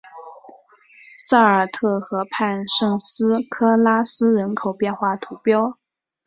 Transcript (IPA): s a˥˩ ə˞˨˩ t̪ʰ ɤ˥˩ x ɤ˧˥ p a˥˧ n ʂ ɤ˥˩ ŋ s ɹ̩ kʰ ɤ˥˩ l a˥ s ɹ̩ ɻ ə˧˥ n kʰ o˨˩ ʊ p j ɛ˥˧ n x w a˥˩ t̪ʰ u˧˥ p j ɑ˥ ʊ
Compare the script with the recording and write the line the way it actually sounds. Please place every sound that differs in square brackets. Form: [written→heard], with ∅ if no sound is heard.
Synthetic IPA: s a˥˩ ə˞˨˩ t̪ʰ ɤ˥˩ x ɤ˧˥ [p→pʰ] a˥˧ n ʂ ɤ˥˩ ŋ s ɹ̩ kʰ [ɤ˥˩→ɤ˥] l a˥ s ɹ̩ ɻ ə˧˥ n kʰ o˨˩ ʊ p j ɛ˥˧ n x w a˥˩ t̪ʰ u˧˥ p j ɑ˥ ʊ